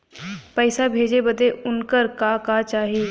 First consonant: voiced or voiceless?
voiceless